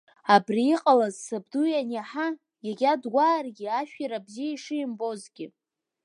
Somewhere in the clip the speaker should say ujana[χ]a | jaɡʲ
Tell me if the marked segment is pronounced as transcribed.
no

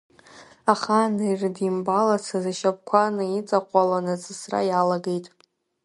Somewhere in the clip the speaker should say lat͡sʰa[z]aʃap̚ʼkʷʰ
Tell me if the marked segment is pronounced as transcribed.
yes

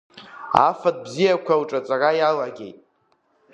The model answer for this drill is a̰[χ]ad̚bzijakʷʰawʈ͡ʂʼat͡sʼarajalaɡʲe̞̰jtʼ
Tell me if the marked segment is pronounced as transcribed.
no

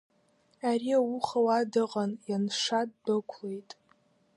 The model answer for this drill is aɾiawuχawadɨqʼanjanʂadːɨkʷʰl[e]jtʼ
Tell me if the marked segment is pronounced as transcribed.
yes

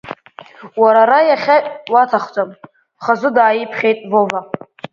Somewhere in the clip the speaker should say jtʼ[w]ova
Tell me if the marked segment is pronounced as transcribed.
no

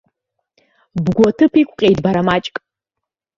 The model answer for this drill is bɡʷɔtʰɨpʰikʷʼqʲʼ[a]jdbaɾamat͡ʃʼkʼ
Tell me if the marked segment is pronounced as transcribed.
no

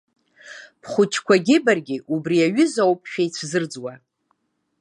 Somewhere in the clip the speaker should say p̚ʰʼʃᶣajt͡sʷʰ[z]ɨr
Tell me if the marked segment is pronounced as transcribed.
yes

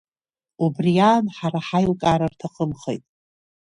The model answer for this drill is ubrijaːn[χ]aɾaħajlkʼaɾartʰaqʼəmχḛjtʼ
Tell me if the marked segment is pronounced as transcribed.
no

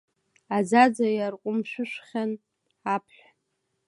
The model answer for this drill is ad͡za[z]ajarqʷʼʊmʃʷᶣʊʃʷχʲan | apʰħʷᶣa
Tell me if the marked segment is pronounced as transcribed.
no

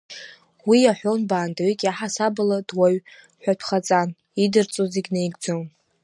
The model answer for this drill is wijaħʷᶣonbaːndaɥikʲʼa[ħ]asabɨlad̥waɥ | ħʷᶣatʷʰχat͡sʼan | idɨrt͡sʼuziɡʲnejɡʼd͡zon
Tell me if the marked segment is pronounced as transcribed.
yes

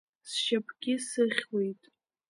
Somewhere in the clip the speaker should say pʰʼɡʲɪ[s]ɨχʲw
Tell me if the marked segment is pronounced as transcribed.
yes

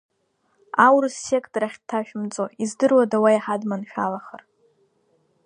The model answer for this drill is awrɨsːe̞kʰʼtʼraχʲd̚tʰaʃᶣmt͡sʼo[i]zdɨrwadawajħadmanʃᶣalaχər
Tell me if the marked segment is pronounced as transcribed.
yes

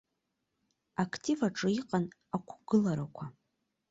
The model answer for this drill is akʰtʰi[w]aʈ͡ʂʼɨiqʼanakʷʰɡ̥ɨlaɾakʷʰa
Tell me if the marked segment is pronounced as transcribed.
no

